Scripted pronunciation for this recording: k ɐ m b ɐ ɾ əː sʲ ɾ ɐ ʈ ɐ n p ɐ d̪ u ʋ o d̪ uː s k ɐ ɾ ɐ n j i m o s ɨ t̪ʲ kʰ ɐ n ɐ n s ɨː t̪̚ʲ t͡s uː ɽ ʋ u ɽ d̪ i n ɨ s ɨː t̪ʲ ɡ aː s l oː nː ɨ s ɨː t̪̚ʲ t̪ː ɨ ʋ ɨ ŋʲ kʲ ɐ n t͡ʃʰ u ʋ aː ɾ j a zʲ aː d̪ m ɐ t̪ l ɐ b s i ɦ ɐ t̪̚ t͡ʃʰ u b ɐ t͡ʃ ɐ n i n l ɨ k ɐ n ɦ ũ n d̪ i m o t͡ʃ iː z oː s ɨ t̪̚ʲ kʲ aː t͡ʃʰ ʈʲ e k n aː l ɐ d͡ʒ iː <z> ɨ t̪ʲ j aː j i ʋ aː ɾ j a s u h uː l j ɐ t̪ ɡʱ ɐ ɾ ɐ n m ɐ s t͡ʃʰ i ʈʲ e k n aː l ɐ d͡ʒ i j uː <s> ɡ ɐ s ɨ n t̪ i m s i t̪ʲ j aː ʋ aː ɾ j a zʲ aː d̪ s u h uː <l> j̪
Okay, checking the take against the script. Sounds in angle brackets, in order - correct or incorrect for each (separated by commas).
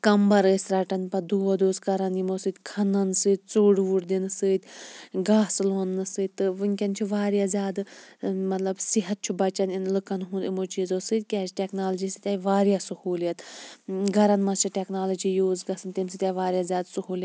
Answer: incorrect, incorrect, correct